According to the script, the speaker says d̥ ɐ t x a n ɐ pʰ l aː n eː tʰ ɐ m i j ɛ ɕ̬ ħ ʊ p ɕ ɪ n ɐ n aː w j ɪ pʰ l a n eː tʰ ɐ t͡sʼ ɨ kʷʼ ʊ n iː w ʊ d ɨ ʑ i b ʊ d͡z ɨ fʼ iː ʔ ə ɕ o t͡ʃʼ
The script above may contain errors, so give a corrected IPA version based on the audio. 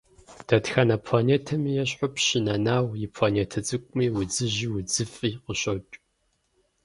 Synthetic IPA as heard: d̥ ɐ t x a n ɐ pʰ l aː n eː tʰ ɐ m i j ɛ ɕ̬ ħ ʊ p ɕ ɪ n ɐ n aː w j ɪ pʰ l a n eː tʰ ɐ t͡sʼ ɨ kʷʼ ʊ m iː w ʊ d͡z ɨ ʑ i w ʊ d͡z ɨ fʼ iː q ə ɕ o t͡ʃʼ